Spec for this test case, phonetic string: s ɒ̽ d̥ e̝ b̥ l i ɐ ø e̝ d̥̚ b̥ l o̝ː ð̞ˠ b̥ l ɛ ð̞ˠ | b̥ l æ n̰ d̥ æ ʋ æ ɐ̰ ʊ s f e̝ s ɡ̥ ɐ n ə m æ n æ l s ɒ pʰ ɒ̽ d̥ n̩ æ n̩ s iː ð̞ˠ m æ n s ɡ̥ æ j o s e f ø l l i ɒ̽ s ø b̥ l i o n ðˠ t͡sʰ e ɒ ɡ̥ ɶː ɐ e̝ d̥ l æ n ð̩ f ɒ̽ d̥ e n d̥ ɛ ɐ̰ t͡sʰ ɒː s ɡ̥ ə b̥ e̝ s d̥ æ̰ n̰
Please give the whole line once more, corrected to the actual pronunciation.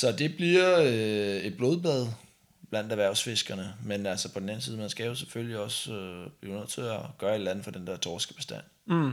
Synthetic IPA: s ɒ̽ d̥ e̝ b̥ l i ɐ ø e̝ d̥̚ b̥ l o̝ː ð̞ˠ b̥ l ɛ ð̞ˠ | b̥ l æ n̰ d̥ æ ʋ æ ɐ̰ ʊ s f e̝ s ɡ̥ ɐ n ə m e n æ l s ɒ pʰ ɒ̽ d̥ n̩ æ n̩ s iː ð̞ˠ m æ n s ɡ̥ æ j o s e f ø l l i ɒ̽ s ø b̥ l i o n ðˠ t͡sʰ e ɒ ɡ̥ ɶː ɐ e̝ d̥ l æ n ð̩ f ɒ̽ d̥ e n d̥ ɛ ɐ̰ t͡sʰ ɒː s ɡ̥ ə b̥ e̝ s d̥ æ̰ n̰